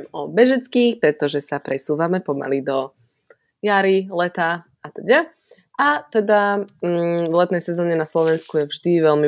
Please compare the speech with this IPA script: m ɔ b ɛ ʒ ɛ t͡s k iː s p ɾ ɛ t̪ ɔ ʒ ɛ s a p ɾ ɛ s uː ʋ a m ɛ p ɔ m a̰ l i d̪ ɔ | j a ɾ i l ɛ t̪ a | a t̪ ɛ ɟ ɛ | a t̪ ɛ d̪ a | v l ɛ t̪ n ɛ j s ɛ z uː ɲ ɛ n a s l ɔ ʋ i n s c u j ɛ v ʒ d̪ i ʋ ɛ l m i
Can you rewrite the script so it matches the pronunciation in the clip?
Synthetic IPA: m ɔ b ɛ ʒ ɛ t͡s k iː x p ɾ ɛ t̪ ɔ ʒ ɛ s a p ɾ ɛ s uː ʋ a m ɛ p ɔ m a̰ l i d̪ ɔ | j a ɾ i l ɛ t̪ a | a t̪ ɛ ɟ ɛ | a t̪ ɛ d̪ a | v l ɛ t̪ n ɛ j s ɛ z ɔː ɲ ɛ n a s l ɔ ʋ ɛ n s k u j ɛ v ʒ d̪ i ʋ ɛ l m i